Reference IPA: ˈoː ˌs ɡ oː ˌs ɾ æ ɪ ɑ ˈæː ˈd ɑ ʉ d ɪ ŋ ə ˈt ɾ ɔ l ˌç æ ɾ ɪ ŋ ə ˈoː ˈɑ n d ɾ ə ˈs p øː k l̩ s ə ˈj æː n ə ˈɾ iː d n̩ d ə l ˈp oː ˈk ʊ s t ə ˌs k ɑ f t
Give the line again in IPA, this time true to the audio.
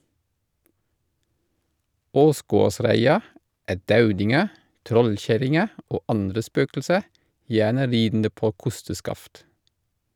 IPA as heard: ˈoː ˌs ɡ oː ˌs ɾ æ ɪ ɑ ˈæː ˈd ɑ ʉ d ɪ ŋ ə ˈt ɾ ɔ l ˌç æ ɾ ɪ ŋ ə ˈoː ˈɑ n d ɾ ə ˈs p øː k l̩ s ə ˈj æː n ə ˈɾ iː d n̩ d ə ˈp oː ˈk ʊ s t ə ˌs k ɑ f t